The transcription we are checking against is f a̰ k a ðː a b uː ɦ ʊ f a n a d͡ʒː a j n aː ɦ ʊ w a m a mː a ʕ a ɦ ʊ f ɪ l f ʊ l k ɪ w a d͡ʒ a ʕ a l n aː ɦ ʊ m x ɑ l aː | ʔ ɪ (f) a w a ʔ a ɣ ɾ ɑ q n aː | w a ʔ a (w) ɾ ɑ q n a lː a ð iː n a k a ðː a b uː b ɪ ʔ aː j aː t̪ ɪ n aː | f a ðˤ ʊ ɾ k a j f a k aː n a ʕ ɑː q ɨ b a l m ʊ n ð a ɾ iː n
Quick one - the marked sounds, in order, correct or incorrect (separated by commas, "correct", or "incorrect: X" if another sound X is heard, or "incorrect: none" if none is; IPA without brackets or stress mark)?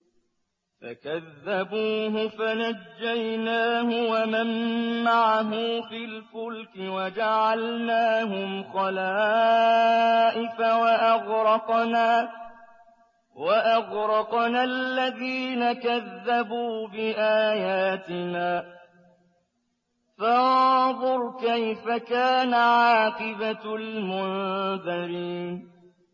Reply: correct, incorrect: ɣ